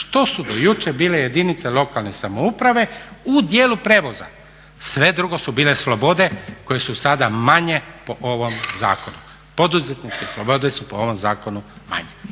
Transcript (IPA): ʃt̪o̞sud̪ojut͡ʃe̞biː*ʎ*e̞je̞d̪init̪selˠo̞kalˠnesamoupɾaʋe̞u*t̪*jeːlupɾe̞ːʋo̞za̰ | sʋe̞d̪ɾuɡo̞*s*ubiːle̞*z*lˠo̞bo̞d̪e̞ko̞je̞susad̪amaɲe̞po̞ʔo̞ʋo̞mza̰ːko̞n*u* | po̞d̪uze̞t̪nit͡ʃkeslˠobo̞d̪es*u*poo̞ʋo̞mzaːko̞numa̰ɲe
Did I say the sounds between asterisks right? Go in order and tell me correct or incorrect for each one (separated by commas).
incorrect, incorrect, correct, incorrect, correct, correct